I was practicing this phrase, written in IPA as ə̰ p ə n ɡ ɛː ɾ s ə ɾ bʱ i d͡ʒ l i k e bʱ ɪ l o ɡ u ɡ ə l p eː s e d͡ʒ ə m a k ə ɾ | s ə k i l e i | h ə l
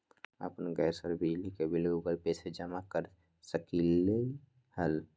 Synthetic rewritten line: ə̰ p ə n ɡ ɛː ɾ s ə ɾ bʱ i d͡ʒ l i k e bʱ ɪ l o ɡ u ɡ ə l p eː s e d͡ʒ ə m a k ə ɾ | s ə k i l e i | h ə l